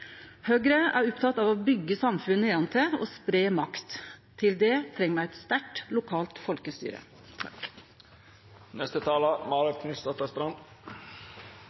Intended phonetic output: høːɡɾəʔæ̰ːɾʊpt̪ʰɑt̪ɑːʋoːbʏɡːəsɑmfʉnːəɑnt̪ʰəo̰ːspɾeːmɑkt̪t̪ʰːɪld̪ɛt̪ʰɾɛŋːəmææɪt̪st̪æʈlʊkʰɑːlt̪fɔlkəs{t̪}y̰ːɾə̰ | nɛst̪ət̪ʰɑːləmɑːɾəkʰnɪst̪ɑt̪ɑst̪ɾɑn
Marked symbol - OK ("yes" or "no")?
yes